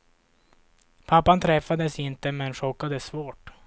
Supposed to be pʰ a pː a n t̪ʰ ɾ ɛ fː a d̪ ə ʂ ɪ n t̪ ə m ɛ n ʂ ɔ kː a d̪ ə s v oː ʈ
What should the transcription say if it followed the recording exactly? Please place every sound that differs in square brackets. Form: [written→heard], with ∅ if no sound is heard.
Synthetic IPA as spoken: pʰ a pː a n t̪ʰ ɾ ɛ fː a d̪ ə [ʂ→s] ɪ n t̪ ə m ɛ n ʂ ɔ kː a d̪ ə s v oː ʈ